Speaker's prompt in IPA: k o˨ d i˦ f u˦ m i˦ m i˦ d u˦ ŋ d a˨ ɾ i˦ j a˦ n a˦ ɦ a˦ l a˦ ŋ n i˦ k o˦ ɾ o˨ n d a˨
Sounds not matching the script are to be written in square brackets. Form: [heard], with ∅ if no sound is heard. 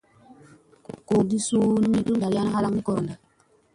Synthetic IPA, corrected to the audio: k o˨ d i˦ [s] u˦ [n] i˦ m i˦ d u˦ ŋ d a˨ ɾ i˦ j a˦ n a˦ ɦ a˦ l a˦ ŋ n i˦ k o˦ ɾ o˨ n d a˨

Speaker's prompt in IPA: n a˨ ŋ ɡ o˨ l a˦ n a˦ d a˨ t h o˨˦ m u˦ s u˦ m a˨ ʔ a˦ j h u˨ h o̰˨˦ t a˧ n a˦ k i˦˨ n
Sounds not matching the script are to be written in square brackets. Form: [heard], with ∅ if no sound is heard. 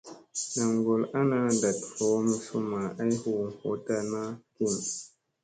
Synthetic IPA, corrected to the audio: n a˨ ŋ ɡ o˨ l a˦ n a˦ d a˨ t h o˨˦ m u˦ s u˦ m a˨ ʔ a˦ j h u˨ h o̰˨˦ t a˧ n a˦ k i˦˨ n

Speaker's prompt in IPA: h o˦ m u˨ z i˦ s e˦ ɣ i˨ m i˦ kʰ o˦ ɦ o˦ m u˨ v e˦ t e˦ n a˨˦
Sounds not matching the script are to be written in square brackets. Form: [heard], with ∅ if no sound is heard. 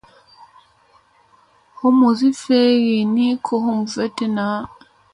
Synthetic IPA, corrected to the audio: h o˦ m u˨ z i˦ [f] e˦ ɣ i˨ [n] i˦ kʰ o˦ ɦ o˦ m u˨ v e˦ t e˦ n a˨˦

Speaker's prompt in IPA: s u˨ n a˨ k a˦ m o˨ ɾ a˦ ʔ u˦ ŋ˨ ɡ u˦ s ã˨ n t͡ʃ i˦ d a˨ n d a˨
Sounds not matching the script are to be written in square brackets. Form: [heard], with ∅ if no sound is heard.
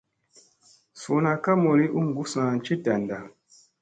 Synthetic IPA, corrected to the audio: s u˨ n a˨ k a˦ m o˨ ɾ [i˦] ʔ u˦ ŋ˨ ɡ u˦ s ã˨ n t͡ʃ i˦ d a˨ n d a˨

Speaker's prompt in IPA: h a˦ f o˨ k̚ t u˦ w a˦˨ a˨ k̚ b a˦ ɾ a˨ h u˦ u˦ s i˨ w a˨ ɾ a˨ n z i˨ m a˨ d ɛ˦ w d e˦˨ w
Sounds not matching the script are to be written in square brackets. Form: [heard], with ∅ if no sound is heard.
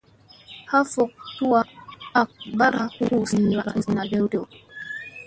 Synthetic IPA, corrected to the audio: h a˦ f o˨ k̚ t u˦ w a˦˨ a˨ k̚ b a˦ ɾ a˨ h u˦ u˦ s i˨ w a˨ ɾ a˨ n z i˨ [n] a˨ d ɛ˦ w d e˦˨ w

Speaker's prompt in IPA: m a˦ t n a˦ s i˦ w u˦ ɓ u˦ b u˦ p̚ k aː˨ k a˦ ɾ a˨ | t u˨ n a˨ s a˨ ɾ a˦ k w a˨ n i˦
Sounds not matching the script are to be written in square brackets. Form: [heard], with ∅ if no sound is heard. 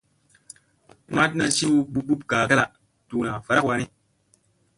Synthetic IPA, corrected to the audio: m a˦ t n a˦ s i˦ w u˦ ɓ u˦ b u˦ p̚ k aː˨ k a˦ [l] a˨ | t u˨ n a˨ [f] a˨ ɾ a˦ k w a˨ n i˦

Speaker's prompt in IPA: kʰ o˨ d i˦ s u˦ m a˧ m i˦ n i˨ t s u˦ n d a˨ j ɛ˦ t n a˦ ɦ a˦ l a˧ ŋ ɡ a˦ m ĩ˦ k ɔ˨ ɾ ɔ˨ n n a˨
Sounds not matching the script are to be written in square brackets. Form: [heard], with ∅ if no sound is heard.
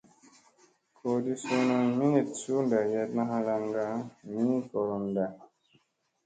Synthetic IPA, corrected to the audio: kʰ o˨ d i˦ s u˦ [n] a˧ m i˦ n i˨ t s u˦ n d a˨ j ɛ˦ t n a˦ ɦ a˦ l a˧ ŋ ɡ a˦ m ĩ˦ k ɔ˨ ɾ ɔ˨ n [d] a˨

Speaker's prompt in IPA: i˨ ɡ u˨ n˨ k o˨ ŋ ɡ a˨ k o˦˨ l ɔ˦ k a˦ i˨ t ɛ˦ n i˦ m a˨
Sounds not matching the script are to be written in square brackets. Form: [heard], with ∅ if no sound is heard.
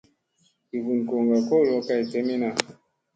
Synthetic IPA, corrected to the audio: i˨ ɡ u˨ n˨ k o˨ ŋ ɡ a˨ k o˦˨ l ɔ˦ k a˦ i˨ t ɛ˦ [m] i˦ [n] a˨

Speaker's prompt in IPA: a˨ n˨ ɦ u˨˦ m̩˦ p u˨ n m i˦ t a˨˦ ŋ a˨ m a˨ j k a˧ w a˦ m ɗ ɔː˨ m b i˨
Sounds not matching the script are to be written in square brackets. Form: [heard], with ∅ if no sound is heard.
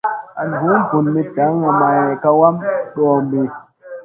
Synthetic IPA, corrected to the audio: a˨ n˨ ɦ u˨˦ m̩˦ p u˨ n m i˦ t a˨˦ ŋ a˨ m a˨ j k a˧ w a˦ m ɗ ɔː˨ m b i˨

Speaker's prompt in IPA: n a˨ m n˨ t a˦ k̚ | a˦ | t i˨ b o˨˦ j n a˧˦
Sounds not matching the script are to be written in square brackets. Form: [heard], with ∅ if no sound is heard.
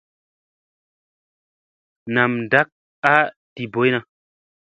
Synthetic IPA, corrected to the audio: n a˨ m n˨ [d] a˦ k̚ | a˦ | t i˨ b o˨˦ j n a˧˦

